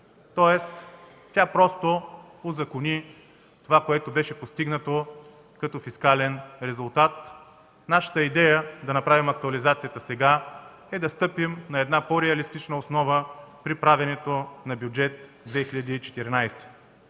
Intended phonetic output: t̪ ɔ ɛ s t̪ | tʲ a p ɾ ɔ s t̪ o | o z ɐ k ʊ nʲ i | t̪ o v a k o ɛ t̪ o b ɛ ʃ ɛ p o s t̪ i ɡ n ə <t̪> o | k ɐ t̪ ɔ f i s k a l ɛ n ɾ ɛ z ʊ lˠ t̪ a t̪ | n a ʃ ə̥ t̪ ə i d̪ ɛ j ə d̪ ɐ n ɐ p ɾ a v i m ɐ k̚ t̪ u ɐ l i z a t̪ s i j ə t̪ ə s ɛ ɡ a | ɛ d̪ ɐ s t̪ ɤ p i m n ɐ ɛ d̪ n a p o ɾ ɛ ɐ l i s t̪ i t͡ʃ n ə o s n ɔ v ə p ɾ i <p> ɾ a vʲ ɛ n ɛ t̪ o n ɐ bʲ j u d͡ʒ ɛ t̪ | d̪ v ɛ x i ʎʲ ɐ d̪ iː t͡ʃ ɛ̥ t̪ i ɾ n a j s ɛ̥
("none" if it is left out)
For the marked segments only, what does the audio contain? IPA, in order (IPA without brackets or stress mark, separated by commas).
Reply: t̪, p